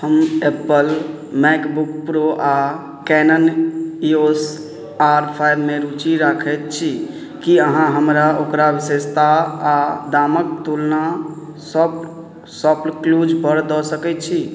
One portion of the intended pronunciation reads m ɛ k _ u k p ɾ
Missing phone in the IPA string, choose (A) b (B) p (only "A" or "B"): A